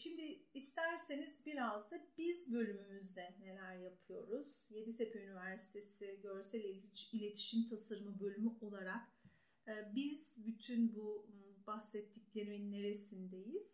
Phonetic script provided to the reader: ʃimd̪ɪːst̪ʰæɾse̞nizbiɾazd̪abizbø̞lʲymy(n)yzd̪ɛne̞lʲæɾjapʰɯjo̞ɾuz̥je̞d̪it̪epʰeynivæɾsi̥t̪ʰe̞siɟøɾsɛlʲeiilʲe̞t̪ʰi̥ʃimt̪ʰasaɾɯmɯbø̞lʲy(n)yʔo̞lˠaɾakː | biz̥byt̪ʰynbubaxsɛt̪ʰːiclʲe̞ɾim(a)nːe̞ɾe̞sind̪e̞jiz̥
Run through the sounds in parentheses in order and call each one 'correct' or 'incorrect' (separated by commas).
incorrect, incorrect, incorrect